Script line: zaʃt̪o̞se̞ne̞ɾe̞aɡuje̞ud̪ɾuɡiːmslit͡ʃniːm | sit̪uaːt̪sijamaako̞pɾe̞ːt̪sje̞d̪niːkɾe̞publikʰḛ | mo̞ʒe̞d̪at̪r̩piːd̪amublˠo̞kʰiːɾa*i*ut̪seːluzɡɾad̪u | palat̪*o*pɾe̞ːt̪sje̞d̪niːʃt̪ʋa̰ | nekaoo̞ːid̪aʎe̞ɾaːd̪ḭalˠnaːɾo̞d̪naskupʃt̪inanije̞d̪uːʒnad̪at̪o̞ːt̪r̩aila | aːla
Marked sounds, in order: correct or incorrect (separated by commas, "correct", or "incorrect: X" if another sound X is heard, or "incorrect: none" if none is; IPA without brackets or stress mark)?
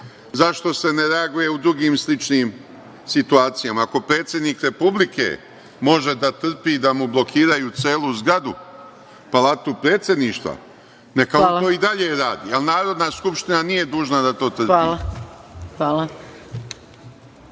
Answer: incorrect: j, incorrect: u